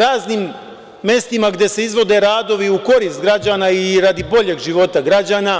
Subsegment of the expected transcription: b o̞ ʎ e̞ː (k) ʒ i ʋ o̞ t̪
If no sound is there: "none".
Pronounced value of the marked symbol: ɡ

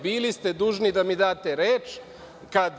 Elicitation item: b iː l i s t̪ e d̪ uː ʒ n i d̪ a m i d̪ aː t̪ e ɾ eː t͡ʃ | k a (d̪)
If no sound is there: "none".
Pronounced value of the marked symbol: d̪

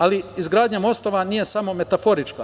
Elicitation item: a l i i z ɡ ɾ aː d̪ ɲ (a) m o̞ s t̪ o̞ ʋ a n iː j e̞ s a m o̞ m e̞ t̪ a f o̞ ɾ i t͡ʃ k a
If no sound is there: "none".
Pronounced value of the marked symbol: a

